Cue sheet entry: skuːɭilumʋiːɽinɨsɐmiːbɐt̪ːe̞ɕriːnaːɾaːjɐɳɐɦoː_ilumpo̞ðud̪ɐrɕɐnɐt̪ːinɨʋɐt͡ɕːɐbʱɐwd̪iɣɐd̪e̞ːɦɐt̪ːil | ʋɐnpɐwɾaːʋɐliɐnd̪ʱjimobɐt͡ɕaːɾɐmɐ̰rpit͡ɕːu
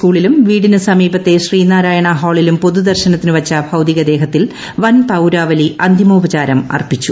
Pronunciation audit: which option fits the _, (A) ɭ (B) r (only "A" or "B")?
A